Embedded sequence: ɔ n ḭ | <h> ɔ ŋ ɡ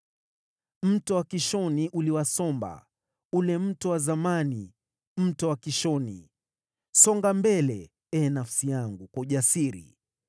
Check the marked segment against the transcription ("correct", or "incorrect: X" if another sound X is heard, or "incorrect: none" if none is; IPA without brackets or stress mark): incorrect: s